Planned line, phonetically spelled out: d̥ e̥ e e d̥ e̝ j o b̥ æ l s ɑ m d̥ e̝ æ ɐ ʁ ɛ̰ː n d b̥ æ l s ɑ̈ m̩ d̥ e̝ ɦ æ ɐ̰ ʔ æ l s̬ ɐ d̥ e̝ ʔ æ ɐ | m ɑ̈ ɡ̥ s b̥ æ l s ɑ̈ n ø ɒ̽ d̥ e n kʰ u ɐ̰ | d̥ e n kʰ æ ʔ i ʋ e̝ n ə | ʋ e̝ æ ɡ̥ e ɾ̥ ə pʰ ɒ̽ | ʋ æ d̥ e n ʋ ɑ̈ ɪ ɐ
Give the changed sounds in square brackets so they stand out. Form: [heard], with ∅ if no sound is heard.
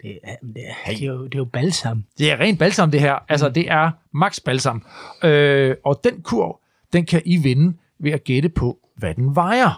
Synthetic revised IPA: d̥ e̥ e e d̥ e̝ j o b̥ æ l s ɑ m d̥ e̝ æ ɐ ʁ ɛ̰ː n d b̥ æ l s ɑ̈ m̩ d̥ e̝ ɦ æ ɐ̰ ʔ æ l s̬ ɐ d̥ e̝ ʔ æ ɐ | m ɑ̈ ɡ̥ s b̥ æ l s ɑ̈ [m] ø ɒ̽ d̥ e n kʰ u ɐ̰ | d̥ e n kʰ æ ʔ i ʋ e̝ n ə | ʋ e̝ æ ɡ̥ e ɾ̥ ə pʰ ɒ̽ | ʋ æ d̥ e n ʋ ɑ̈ ɪ ɐ